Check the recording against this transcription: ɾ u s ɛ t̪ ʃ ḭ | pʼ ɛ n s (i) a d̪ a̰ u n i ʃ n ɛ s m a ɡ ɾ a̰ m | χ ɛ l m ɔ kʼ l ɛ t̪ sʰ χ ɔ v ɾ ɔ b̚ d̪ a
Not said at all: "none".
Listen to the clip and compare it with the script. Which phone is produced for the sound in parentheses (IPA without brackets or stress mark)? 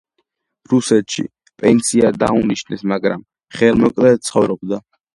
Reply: i